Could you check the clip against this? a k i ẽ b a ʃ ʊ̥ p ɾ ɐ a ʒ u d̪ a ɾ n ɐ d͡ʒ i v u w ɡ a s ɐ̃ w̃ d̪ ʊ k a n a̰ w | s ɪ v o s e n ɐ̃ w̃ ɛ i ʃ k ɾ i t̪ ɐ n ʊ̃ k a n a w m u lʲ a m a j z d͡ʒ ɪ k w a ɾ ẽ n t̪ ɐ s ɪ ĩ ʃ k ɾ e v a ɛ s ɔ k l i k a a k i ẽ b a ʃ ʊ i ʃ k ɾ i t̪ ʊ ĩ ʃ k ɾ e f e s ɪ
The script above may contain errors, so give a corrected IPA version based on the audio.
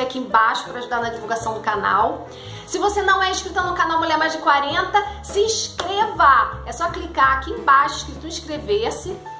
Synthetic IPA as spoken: a k i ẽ b a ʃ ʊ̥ p ɾ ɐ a ʒ u d̪ a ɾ n ɐ d͡ʒ i v u w ɡ a s ɐ̃ w̃ d̪ ʊ k a n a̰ w | s ɪ v o s e n ɐ̃ w̃ ɛ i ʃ k ɾ i t̪ ɐ n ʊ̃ k a n a w m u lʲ ɛ m a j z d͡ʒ ɪ k w a ɾ ẽ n t̪ ɐ s ɪ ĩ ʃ k ɾ e v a ɛ s ɔ k l i k a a k i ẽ b a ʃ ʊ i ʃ k ɾ i t̪ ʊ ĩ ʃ k ɾ e v e s ɪ